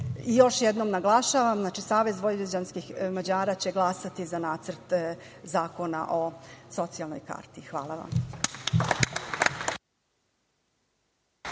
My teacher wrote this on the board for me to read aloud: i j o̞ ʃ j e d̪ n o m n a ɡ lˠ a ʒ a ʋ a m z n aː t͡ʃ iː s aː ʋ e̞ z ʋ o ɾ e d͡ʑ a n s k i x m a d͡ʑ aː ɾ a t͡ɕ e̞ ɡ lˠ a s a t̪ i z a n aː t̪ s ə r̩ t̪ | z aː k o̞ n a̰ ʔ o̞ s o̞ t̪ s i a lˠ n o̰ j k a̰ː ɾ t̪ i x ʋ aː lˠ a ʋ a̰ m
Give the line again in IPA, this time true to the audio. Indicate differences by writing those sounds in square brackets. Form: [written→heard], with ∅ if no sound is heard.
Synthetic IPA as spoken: i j o̞ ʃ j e d̪ n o m n a ɡ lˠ a [ʒ→ʃ] a ʋ a m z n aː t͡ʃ [iː→i] s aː ʋ e̞ z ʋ o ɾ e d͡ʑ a n s k i x m a d͡ʑ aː ɾ a t͡ɕ e̞ ɡ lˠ a s a t̪ i z a n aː t̪ s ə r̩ t̪ | z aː k o̞ n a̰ ʔ o̞ s o̞ t̪ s i a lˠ n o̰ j k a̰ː ɾ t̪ i x ʋ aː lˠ a ʋ a̰ m

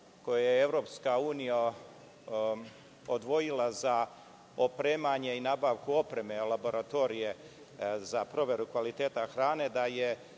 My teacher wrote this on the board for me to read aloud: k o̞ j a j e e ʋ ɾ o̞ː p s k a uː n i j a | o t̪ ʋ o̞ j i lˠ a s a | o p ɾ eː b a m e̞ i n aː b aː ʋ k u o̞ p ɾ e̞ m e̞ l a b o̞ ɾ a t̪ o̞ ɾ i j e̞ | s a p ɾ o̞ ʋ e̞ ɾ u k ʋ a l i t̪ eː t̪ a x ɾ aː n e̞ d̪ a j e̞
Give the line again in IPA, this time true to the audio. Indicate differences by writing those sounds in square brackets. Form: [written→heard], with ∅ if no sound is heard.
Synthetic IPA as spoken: k o̞ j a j e e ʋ ɾ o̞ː p s k a uː n i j a | o [t̪→d̪] ʋ o̞ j i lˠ a [s→z] a | o p ɾ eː [b→m] a [m→ɲ] e̞ i n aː b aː ʋ k u o̞ p ɾ e̞ m e̞ l a b o̞ ɾ a t̪ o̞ ɾ i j e̞ | [s→z] a p ɾ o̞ ʋ e̞ ɾ u k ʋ a l i t̪ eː t̪ a x ɾ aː n e̞ d̪ a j e̞

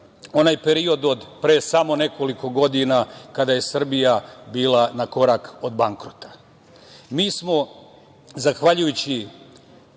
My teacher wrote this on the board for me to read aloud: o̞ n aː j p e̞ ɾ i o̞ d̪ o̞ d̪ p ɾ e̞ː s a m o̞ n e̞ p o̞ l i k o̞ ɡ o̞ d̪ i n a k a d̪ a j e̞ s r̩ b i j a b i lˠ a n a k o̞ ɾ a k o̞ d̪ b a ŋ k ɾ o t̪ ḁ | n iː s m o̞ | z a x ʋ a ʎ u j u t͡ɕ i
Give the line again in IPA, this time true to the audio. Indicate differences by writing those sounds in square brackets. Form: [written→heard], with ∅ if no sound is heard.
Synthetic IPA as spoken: o̞ n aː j p e̞ ɾ i o̞ d̪ o̞ d̪ p ɾ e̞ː s a m o̞ n e̞ [p→k] o̞ l i k o̞ ɡ o̞ d̪ i n a k a d̪ a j e̞ s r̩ b i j a b [i→iː] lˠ a n a k o̞ ɾ a k o̞ d̪ b a ŋ k ɾ o t̪ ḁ | [n→m] iː s m o̞ | z a x ʋ a ʎ u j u t͡ɕ i

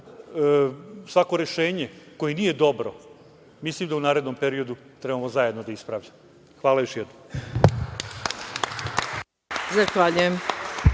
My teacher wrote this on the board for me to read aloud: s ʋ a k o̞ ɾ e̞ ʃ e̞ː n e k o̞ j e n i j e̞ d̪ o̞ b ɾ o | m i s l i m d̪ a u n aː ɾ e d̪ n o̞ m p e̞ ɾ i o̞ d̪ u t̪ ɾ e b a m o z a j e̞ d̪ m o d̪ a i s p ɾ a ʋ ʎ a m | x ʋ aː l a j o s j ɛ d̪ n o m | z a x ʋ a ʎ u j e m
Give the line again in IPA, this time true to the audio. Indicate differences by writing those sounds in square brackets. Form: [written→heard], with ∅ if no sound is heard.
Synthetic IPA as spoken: s ʋ a k o̞ ɾ e̞ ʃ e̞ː [n→ɲ] e k o̞ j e n i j e̞ d̪ o̞ b ɾ o | m i s l i m d̪ a u n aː ɾ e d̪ n o̞ m p e̞ ɾ i o̞ d̪ u t̪ ɾ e b a m o z a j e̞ d̪ [m→n] o d̪ a i s p ɾ a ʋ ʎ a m | x ʋ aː l a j o [s→ʃ] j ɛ d̪ n o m | z a x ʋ a ʎ u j e m

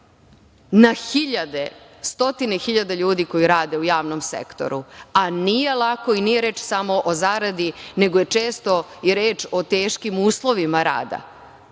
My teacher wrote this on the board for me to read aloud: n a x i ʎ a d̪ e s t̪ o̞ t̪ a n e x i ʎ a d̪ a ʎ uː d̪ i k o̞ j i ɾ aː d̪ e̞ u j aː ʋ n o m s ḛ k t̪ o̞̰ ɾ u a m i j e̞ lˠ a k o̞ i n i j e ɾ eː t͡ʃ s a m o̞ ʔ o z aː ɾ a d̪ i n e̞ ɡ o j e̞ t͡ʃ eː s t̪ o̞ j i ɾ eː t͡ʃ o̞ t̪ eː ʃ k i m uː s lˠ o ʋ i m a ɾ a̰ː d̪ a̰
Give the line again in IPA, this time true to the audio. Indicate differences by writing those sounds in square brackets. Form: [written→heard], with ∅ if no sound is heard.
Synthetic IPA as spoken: n a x i ʎ a d̪ e s t̪ o̞ t̪ [a→i] n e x i ʎ a d̪ a ʎ uː d̪ i k o̞ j i ɾ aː d̪ e̞ u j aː ʋ n o m s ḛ k t̪ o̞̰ ɾ u a [m→n] i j e̞ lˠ a k o̞ i n i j e ɾ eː t͡ʃ s a m o̞ ʔ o z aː ɾ a d̪ i n e̞ ɡ o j e̞ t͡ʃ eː s t̪ o̞ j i ɾ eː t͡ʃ o̞ t̪ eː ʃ k i m uː s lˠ o ʋ i m a ɾ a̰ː d̪ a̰

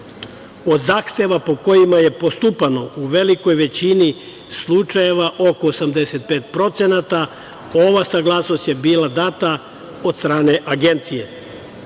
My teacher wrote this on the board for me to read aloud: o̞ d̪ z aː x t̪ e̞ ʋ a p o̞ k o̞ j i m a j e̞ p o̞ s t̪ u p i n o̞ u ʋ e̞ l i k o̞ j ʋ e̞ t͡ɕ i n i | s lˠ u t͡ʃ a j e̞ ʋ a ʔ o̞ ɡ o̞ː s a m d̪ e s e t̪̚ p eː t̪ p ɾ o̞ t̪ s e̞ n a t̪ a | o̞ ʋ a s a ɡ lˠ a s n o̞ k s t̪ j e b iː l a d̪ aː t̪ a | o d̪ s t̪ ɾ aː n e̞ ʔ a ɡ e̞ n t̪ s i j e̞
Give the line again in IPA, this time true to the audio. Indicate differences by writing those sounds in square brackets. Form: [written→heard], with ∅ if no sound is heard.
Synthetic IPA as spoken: o̞ d̪ z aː x t̪ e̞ ʋ a p o̞ k o̞ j i m a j e̞ p o̞ s t̪ u p [i→a] n o̞ u ʋ e̞ l i k o̞ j ʋ e̞ t͡ɕ i n i | s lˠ u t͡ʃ a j e̞ ʋ a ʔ o̞ [ɡ→k] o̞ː s a m d̪ e s e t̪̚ p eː t̪ p ɾ o̞ t̪ s e̞ n a t̪ a | o̞ ʋ a s a ɡ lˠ a s n o̞ [k→∅] s t̪ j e b iː l a d̪ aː t̪ a | o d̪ s t̪ ɾ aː n e̞ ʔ a ɡ e̞ n t̪ s i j e̞

